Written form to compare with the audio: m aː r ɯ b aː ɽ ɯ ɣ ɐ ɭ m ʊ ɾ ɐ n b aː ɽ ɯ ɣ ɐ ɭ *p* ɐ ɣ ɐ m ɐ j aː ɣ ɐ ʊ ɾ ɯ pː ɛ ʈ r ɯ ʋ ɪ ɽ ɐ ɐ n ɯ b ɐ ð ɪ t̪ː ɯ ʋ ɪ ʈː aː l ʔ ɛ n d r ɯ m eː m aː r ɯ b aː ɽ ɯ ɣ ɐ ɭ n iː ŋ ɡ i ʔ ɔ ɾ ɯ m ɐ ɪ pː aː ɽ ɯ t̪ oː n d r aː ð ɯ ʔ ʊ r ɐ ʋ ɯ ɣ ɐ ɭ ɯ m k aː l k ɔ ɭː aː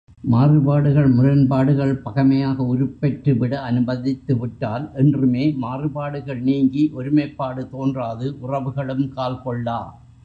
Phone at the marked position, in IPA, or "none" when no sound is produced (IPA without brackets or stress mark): p